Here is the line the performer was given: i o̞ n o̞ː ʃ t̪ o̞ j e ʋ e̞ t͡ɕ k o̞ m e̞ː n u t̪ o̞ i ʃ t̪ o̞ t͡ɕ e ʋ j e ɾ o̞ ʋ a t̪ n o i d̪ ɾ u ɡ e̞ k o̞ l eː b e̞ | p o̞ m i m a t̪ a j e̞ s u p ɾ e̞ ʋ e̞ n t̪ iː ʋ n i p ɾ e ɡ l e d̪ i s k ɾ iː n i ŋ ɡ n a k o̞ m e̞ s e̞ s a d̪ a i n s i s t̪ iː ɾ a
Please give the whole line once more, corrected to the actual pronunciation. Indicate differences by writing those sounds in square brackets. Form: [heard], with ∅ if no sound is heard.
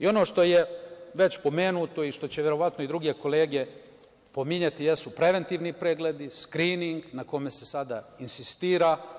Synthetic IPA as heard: i o̞ n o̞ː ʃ t̪ o̞ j e ʋ e̞ t͡ɕ [p] o̞ m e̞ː n u t̪ o̞ i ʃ t̪ o̞ t͡ɕ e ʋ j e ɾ o̞ ʋ a t̪ n o i d̪ ɾ u ɡ e̞ k o̞ l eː [ɡ] e̞ | p o̞ m i [ɲ] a t̪ [i] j e̞ s u p ɾ e̞ ʋ e̞ n t̪ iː ʋ n i p ɾ e ɡ l e d̪ i s k ɾ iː n i ŋ ɡ n a k o̞ m e̞ s e̞ s a d̪ a i n s i s t̪ iː ɾ a